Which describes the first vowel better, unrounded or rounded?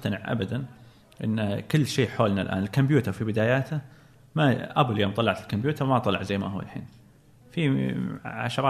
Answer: unrounded